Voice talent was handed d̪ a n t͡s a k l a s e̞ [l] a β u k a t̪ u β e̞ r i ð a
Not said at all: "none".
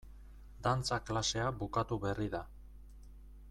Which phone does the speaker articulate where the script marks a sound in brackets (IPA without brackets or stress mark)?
none